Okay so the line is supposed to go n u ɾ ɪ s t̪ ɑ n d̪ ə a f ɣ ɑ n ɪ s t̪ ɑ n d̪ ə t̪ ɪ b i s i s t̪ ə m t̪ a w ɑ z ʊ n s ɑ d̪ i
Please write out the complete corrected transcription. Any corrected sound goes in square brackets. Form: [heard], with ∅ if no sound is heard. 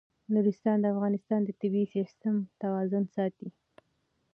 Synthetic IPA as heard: n u ɾ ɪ s t̪ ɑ n d̪ ə a f ɣ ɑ n ɪ s t̪ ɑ n d̪ ə t̪ ɪ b i s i s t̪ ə m t̪ a w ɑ z ʊ n s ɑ [t̪] i